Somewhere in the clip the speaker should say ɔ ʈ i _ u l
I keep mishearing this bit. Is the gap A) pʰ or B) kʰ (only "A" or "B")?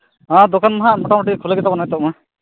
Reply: B